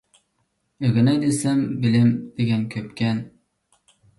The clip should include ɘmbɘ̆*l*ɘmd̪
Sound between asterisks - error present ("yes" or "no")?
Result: no